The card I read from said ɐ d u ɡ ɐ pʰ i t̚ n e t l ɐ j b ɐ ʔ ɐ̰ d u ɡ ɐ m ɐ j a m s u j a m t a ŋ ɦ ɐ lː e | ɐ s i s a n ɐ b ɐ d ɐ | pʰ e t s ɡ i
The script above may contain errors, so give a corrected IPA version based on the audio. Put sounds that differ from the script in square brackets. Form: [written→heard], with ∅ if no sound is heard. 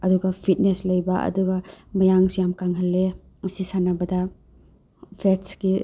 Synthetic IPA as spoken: ɐ d u ɡ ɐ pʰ i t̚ n e [t→s] l ɐ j b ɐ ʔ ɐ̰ d u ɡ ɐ m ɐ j a [m→ŋ] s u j a m [t→k] a ŋ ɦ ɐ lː e | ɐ s i s a n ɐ b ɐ d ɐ | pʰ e t s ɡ i